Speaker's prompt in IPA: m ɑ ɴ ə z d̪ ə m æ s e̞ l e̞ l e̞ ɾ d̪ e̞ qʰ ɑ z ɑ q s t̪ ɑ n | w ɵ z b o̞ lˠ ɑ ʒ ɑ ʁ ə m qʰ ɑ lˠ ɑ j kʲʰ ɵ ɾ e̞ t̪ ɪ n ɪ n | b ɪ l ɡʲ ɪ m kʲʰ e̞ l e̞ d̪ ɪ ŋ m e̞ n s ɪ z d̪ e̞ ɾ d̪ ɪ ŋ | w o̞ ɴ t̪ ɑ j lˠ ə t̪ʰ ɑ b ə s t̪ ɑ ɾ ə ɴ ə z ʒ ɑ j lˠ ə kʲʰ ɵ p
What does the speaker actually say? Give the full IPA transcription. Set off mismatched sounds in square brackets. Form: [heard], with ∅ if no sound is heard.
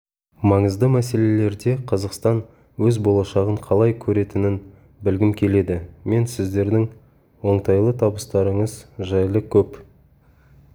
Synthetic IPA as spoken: m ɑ ɴ ə z d̪ ə m æ s e̞ l e̞ l e̞ ɾ d̪ e̞ qʰ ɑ z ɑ q s t̪ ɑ n | w ɵ z b o̞ lˠ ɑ [ʃ] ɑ ʁ ə [ɴ] qʰ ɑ lˠ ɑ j kʲʰ ɵ ɾ e̞ t̪ ɪ n ɪ n | b ɪ l ɡʲ ɪ m kʲʰ e̞ l e̞ d̪ ɪ [∅] m e̞ n s ɪ z d̪ e̞ ɾ d̪ ɪ ŋ | w o̞ ɴ t̪ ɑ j lˠ ə t̪ʰ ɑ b ə s t̪ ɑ ɾ ə ɴ ə z ʒ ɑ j lˠ ə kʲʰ ɵ p

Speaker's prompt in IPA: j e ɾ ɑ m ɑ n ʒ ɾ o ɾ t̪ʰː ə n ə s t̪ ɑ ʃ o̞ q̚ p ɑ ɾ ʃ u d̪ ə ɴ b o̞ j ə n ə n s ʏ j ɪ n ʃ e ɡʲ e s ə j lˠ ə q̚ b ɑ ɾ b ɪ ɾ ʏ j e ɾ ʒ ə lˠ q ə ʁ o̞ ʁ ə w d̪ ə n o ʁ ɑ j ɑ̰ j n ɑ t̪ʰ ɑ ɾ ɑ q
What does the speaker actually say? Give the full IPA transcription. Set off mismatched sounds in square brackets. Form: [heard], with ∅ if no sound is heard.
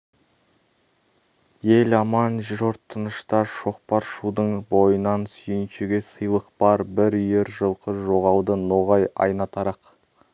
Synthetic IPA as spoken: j e [l] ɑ m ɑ n ʒ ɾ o ɾ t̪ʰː ə n ə [ʃ] t̪ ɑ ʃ o̞ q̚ p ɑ ɾ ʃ u d̪ ə ɴ b o̞ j ə n [ɑ] n s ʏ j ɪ n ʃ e ɡʲ e s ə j lˠ ə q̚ b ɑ ɾ b ɪ ɾ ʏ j e ɾ ʒ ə lˠ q ə [ʒ] o̞ ʁ [ɑ] w d̪ ə n o ʁ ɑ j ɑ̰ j n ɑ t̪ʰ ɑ ɾ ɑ q

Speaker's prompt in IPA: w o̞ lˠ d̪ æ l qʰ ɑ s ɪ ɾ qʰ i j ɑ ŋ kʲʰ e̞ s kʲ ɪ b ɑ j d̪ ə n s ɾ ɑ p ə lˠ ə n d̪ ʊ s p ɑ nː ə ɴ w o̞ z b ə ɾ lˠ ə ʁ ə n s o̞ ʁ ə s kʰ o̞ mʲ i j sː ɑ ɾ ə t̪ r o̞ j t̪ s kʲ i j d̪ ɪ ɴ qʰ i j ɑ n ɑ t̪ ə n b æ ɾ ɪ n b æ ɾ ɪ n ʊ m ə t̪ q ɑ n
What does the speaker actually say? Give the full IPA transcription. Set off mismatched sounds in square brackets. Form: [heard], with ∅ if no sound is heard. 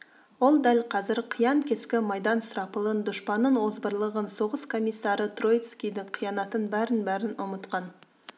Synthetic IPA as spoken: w o̞ lˠ d̪ æ l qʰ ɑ [z] ɪ ɾ qʰ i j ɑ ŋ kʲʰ e̞ s kʲ ɪ [m] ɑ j d̪ [ɑ] n s ɾ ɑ p ə lˠ ə n d̪ ʊ [ʃ] p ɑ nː ə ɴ w o̞ z b ə ɾ lˠ ə ʁ ə n s o̞ ʁ ə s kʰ o̞ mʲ i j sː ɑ ɾ ə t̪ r o̞ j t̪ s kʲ i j d̪ ɪ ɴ qʰ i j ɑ n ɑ t̪ ə n b æ ɾ ɪ n b æ ɾ ɪ n ʊ m ə t̪ q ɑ n

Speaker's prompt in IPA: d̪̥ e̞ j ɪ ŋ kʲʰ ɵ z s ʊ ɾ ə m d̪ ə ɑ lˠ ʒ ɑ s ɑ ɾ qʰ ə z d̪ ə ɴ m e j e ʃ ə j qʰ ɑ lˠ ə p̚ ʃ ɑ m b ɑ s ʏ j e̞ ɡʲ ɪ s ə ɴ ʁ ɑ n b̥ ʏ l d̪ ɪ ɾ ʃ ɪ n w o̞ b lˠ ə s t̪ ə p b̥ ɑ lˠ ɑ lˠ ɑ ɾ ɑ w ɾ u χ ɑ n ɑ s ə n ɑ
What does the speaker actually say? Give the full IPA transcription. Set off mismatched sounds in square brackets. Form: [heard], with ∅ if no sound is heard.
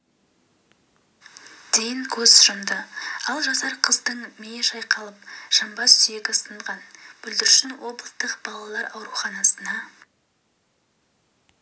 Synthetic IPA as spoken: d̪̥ e̞ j ɪ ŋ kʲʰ ɵ z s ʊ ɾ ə m d̪ ə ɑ lˠ ʒ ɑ s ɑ ɾ qʰ ə z d̪ ə ɴ m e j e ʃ [ɑ] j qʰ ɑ lˠ ə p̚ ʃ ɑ m b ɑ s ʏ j e̞ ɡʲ ɪ s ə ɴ ʁ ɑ n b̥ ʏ l d̪ ɪ ɾ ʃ ɪ n w o̞ b lˠ ə s t̪ ə [q] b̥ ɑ lˠ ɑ lˠ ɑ ɾ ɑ w ɾ u χ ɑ n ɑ s ə n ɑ

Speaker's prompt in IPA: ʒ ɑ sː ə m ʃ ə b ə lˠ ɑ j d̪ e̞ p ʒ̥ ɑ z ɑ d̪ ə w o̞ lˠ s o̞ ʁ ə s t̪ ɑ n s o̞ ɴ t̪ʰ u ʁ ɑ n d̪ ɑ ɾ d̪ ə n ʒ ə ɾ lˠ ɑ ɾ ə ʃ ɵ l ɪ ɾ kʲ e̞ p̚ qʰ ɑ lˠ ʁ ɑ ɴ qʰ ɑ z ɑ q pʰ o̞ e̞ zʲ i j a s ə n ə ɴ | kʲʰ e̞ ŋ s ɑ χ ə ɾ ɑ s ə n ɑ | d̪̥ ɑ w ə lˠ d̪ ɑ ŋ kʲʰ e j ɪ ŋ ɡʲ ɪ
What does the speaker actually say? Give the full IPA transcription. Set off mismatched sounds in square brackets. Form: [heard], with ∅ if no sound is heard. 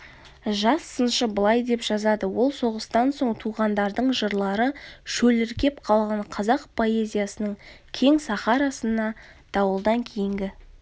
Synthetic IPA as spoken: ʒ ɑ sː ə [n] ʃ ə b ə lˠ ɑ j d̪ e̞ p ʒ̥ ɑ z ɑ d̪ ə w o̞ lˠ s o̞ ʁ ə s t̪ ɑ n s o̞ ɴ t̪ʰ u ʁ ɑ n d̪ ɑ ɾ d̪ ə [ɴ] ʒ ə ɾ lˠ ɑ ɾ ə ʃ ɵ l ɪ ɾ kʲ e̞ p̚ qʰ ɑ lˠ ʁ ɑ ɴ qʰ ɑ z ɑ q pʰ o̞ e̞ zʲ i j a s ə n ə ɴ | kʲʰ e̞ ŋ s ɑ χ [ɑ] ɾ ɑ s ə n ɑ | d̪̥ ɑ w ə lˠ d̪ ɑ ŋ kʲʰ e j ɪ ŋ ɡʲ ɪ

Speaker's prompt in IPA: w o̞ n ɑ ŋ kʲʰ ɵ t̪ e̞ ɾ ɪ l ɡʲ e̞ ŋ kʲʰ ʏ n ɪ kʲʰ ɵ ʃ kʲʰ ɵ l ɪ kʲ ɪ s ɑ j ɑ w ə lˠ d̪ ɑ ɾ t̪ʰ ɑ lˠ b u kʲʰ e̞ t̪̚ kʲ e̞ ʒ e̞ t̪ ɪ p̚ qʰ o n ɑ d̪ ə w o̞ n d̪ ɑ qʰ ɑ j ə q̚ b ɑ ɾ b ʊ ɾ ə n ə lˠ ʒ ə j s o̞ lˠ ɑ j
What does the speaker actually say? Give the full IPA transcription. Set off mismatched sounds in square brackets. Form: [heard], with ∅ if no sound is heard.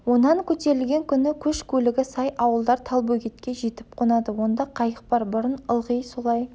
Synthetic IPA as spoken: w o̞ n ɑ ŋ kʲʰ ɵ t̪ e̞ ɾ ɪ l ɡʲ e̞ ŋ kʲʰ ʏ n ɪ kʲʰ ɵ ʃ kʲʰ ɵ l ɪ [ɡʲ] ɪ s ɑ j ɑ w ə lˠ d̪ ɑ ɾ t̪ʰ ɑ lˠ b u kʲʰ e̞ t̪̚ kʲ e̞ ʒ e̞ t̪ ɪ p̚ qʰ o n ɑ d̪ ə w o̞ n d̪ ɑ qʰ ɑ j ə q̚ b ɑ ɾ b ʊ ɾ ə n ə lˠ [ʁ] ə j s o̞ lˠ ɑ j

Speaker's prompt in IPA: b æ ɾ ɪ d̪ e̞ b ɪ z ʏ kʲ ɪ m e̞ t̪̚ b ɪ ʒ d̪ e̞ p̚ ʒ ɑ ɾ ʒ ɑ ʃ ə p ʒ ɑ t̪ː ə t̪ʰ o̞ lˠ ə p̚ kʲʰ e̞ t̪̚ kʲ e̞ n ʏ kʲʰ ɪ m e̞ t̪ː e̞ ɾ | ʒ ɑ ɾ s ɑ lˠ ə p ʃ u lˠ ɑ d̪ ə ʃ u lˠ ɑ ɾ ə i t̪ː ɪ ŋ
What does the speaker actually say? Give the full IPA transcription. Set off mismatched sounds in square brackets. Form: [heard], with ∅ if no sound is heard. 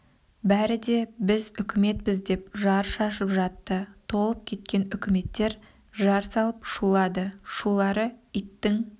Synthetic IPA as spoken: b æ ɾ ɪ d̪ e̞ b ɪ z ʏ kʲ ɪ m e̞ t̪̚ b ɪ [z] d̪ e̞ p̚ ʒ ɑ ɾ [ʃ] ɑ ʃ ə p ʒ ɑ t̪ː ə t̪ʰ o̞ lˠ ə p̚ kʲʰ e̞ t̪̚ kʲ e̞ n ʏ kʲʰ ɪ m e̞ t̪ː e̞ ɾ | ʒ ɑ ɾ s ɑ lˠ ə p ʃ u lˠ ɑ d̪ ə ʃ u lˠ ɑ ɾ ə i t̪ː ɪ ŋ

